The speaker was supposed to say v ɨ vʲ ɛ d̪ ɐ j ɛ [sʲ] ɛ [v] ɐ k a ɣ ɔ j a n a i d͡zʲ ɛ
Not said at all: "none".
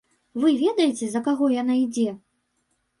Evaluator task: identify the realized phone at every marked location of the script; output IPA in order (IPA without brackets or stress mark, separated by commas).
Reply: t͡sʲ, z